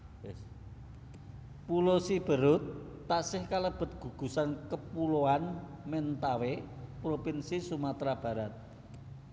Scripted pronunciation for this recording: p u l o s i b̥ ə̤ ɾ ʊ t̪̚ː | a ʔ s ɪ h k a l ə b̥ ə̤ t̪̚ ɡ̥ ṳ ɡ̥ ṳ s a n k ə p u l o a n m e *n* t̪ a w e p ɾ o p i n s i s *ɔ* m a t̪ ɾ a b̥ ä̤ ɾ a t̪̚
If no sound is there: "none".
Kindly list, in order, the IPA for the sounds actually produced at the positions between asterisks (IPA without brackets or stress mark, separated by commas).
n, u